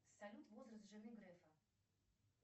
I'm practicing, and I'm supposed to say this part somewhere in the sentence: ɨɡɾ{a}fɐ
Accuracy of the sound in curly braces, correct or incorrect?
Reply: incorrect